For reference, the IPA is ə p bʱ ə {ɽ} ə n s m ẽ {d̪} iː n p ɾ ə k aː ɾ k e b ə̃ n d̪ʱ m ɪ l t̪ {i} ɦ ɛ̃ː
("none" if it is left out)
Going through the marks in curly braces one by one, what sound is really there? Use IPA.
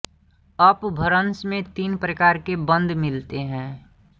ɾ, t̪, e

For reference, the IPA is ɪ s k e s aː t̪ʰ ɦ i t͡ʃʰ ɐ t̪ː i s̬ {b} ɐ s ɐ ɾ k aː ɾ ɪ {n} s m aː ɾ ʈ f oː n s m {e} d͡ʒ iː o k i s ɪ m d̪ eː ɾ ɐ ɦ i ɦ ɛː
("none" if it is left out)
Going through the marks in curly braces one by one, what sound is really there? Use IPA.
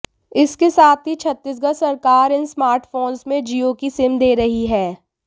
ɡ, n, ẽ

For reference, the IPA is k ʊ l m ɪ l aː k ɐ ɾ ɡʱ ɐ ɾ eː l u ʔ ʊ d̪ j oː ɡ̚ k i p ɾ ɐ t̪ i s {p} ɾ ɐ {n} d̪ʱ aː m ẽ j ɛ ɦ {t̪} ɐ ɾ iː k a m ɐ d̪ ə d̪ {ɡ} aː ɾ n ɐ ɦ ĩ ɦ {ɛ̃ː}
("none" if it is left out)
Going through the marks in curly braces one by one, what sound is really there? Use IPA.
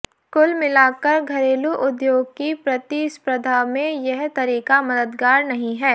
p, none, t̪, ɡ, ɛː

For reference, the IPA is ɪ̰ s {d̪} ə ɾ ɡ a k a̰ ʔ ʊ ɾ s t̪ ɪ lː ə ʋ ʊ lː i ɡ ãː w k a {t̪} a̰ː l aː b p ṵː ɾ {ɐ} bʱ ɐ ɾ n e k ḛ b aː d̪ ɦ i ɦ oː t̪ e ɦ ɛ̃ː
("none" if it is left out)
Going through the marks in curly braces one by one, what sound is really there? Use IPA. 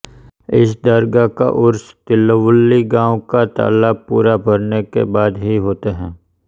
d̪, t̪, a

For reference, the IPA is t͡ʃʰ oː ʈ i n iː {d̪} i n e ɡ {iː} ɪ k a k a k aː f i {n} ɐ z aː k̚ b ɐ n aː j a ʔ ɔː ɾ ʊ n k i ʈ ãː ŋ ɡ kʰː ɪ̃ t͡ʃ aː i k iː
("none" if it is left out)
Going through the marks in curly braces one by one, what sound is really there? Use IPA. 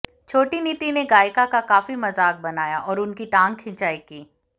t̪, aː, m

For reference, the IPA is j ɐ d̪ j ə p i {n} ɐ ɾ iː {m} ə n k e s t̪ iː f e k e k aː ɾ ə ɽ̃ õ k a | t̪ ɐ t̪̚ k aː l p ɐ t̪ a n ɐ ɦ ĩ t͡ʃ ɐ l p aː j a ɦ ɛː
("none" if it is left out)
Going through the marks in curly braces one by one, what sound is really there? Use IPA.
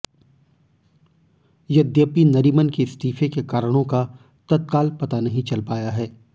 n, m

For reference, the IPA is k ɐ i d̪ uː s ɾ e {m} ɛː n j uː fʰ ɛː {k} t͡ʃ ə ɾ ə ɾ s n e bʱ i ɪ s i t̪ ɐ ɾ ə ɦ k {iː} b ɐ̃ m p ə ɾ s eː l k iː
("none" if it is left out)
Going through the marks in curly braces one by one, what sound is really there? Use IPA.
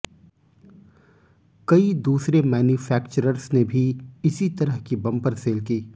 m, k, i

